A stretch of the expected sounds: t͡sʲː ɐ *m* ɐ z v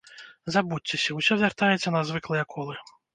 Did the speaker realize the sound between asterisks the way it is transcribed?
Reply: no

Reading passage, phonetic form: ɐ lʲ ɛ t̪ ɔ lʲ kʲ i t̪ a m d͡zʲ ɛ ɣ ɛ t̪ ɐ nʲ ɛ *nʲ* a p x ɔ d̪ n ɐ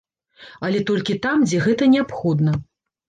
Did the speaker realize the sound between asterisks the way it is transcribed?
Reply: no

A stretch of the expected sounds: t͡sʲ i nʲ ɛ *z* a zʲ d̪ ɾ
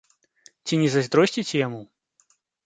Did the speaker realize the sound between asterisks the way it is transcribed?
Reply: yes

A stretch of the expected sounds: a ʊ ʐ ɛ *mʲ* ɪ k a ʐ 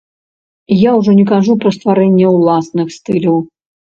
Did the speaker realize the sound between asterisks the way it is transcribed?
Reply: no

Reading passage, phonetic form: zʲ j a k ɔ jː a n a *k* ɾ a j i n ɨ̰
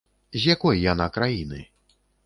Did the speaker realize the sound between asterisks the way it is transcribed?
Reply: yes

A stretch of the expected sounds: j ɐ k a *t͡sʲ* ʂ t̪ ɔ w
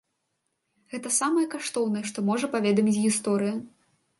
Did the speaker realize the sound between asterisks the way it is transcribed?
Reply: no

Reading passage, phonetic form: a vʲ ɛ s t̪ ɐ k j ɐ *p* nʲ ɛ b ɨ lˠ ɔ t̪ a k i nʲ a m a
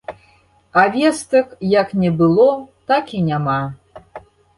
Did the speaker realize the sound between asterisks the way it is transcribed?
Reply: no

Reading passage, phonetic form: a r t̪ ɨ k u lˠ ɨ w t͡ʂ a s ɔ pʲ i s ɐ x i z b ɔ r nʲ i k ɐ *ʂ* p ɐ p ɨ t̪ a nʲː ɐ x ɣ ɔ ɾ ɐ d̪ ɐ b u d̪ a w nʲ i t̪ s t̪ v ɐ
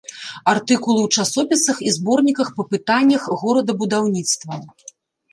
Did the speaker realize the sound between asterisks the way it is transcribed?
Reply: no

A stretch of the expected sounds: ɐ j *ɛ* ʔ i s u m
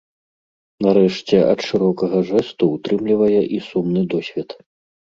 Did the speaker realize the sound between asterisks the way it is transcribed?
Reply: yes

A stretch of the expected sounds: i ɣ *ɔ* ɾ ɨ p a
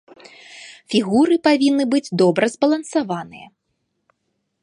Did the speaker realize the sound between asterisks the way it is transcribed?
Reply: no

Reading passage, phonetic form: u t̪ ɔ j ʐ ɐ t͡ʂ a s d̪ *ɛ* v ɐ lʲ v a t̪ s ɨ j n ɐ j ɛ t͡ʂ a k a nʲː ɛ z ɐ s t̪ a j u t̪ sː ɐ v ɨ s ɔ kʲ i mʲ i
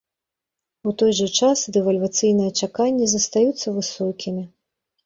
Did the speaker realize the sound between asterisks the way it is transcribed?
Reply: yes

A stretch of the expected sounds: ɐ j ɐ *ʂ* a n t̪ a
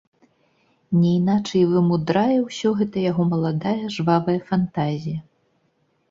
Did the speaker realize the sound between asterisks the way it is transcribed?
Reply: no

